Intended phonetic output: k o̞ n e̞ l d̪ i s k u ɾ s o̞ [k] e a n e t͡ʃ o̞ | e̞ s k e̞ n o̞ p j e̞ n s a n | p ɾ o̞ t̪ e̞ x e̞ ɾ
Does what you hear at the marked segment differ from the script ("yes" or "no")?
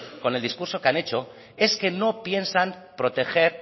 no